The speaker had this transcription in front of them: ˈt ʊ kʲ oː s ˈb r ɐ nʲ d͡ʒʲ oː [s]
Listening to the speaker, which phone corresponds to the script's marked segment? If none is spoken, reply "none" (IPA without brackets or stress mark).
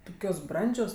s